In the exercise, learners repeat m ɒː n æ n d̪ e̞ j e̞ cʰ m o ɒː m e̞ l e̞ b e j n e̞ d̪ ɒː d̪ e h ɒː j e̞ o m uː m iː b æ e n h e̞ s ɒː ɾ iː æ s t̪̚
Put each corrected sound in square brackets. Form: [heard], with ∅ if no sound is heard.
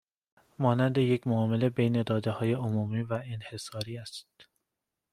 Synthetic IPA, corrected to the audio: m ɒː n æ n d̪ e̞ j e̞ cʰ m o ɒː m e̞ l e̞ b e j n e̞ d̪ ɒː d̪ e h ɒː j e̞ o m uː m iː [v] æ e n h e̞ s ɒː ɾ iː æ s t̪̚

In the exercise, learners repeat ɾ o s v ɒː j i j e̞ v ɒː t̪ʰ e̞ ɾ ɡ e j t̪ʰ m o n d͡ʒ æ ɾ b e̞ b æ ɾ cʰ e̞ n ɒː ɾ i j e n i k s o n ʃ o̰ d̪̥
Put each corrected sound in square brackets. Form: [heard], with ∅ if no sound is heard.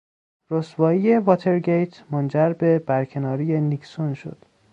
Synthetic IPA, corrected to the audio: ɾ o s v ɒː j i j e̞ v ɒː t̪ʰ e̞ ɾ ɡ e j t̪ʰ m o n d͡ʒ æ ɾ b e̞ b æ ɾ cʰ e̞ n ɒː ɾ i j e n i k s o n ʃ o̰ d̪̥

